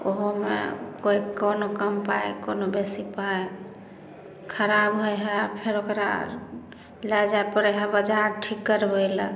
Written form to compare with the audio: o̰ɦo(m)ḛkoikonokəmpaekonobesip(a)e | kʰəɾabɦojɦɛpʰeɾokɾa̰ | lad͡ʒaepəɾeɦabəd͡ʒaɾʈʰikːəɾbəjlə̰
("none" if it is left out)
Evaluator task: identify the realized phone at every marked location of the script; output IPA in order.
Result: m, a

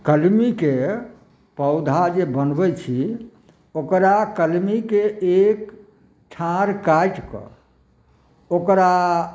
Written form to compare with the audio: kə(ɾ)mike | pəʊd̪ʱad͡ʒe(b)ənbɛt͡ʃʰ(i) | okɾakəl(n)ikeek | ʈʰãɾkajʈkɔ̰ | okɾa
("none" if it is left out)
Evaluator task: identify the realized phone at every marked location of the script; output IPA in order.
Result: l, b, i, m

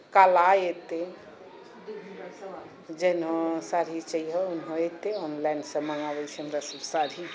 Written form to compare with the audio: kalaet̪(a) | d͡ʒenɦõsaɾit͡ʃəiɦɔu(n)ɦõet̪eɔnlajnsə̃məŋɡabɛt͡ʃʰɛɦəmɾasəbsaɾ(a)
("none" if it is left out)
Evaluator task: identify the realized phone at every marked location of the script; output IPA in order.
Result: e, n, i

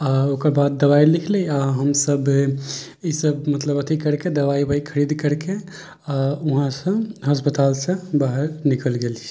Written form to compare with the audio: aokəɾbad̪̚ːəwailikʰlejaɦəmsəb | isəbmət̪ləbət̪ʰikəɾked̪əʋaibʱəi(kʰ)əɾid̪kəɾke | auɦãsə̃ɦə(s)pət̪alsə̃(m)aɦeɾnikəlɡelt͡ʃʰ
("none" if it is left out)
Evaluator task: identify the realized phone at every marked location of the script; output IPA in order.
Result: kʰ, s, b

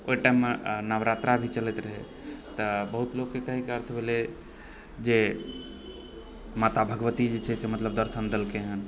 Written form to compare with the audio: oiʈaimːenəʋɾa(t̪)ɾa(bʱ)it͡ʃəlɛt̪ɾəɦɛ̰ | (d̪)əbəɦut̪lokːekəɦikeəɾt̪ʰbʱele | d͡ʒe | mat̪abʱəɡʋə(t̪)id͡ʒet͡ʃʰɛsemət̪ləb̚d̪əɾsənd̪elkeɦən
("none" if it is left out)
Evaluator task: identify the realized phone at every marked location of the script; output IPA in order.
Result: t̪, bʱ, t̪, t̪

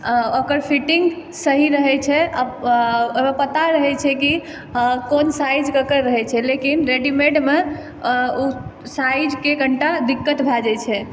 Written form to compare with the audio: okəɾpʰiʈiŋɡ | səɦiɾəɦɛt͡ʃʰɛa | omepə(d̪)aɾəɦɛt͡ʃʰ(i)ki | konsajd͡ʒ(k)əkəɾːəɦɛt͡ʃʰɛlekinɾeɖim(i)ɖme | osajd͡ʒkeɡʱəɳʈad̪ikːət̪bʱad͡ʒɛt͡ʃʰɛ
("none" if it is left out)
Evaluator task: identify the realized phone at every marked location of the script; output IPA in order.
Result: t̪, ɛ, k, e

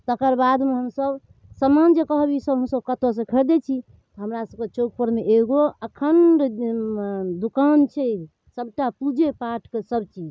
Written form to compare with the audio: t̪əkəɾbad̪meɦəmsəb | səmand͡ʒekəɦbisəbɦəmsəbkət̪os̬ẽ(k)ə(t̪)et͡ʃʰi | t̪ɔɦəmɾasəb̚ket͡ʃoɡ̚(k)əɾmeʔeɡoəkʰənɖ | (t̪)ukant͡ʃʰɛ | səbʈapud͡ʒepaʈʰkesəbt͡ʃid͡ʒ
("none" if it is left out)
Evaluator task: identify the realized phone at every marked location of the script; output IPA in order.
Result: kʰ, d̪, p, d̪

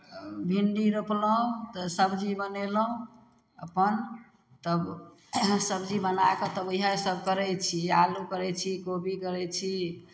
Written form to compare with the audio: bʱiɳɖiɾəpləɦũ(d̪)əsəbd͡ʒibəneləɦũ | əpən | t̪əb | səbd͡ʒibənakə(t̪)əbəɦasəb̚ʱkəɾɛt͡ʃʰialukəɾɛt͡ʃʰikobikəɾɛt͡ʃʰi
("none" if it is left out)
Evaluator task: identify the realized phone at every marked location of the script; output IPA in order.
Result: t̪, t̪

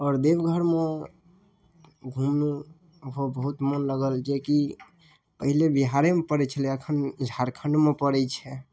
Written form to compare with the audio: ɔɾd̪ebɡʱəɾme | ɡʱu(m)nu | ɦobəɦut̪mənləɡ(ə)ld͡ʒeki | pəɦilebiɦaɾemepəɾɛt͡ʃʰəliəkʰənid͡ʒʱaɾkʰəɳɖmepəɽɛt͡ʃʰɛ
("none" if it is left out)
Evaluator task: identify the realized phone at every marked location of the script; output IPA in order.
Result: m, ə

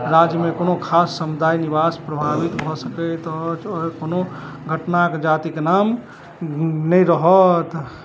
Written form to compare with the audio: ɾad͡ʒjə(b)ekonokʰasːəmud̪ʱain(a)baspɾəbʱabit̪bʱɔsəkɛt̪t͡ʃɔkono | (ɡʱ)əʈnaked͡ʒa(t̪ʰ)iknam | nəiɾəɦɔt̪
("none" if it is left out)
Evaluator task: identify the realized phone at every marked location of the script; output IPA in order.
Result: m, i, ɡʱ, t̪

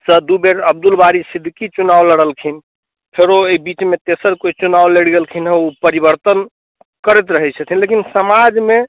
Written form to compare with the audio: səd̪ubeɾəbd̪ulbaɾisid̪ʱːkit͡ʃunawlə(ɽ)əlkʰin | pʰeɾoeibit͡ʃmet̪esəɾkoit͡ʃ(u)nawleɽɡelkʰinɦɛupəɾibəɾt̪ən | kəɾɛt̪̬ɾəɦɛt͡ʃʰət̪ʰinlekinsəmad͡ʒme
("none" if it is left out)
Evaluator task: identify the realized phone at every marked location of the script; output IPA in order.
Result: ɽ, u

